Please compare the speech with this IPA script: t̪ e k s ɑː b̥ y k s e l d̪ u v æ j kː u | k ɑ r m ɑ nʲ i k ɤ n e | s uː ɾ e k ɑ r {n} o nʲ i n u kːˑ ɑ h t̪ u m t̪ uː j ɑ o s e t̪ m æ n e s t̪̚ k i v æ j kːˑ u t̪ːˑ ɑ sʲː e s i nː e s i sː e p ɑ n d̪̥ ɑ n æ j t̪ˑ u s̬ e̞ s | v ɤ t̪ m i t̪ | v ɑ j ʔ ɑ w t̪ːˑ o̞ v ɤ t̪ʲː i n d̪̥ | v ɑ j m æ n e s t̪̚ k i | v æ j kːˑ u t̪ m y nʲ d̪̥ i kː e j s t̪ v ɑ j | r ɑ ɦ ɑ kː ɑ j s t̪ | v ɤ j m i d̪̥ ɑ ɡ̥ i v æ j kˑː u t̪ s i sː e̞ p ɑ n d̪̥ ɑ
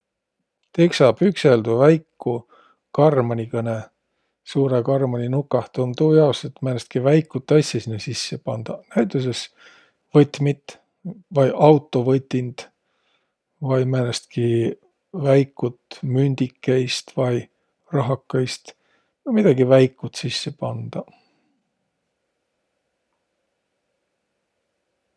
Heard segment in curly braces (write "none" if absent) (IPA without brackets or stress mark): m